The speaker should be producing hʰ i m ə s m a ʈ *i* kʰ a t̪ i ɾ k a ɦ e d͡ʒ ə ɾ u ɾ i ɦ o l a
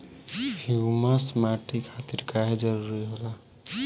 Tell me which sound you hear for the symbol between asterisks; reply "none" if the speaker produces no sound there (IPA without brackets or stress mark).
i